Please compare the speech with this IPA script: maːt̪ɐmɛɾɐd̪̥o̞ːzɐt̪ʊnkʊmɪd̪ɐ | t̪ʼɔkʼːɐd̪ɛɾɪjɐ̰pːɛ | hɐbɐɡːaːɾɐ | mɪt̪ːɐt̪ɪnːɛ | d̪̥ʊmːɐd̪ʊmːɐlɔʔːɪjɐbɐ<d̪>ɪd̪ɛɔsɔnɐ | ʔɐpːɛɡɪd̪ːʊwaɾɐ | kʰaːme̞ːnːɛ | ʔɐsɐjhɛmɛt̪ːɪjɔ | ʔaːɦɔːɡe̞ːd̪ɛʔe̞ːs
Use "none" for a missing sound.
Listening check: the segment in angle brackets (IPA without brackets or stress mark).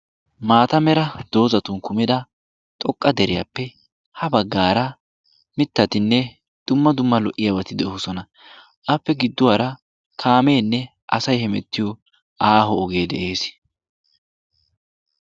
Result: t̪